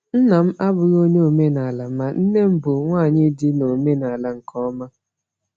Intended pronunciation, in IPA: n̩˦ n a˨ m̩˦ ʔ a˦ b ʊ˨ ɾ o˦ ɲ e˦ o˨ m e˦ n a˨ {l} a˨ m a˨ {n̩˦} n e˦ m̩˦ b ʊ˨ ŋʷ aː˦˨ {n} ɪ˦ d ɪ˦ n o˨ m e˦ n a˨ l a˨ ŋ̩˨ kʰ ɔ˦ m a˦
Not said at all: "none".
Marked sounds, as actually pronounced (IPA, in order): l, n̩˦, ɲ

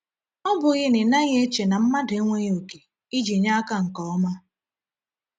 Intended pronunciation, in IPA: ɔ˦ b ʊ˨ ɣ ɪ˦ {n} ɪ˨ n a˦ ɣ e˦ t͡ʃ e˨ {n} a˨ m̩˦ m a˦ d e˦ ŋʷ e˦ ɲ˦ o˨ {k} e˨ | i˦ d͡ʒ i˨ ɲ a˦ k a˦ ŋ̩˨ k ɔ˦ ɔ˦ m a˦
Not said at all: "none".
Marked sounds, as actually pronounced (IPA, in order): n, n, k

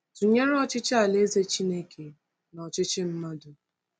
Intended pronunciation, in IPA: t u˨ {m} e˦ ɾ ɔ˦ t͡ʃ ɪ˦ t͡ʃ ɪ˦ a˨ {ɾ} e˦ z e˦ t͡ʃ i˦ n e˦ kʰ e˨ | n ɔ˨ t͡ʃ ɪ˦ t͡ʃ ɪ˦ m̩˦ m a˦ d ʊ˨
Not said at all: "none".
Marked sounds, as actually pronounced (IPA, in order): ɲ, l

